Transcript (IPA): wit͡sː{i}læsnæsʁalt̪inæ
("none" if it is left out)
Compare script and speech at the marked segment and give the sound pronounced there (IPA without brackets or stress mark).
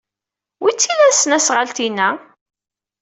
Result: i